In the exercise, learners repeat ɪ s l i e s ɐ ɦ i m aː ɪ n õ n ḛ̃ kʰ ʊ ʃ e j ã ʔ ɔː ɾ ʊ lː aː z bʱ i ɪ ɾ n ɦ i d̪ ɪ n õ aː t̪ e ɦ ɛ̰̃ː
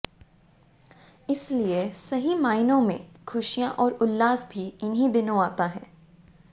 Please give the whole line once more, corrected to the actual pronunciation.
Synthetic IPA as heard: ɪ s l i e s ɐ ɦ i m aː ɪ n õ m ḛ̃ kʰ ʊ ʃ i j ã ʔ ɔː ɾ ʊ lː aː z bʱ i ɪ n ɦ i d̪ ɪ n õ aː t̪ a ɦ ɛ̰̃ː